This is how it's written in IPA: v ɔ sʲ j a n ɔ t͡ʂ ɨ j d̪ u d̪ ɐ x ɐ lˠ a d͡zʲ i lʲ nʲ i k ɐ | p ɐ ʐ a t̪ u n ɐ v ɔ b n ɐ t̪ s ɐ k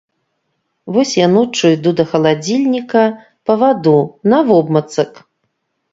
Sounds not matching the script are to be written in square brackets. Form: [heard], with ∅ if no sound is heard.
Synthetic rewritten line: v ɔ sʲ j a n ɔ t͡ʂ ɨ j d̪ u d̪ ɐ x ɐ lˠ a d͡zʲ i lʲ nʲ i k ɐ | p ɐ [v] a [d̪] u n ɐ v ɔ b [m] ɐ t̪ s ɐ k